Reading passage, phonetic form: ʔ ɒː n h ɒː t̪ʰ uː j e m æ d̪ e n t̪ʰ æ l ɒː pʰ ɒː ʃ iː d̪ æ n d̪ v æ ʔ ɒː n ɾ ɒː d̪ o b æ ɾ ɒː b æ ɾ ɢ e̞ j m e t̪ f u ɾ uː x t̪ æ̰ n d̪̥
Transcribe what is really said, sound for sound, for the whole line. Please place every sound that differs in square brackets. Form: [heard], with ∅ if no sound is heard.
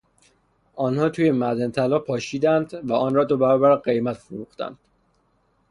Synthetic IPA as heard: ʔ ɒː n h ɒː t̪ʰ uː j e m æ d̪ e n t̪ʰ æ l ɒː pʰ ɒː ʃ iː d̪ æ n d̪ v æ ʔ ɒː n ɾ ɒː d̪ o b æ ɾ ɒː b æ ɾ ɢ e̞ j m [æ] t̪ f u ɾ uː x t̪ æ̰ n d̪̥